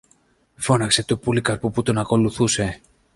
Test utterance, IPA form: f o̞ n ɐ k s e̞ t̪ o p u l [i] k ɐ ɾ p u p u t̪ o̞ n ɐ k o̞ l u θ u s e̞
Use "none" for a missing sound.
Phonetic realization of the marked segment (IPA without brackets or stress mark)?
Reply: i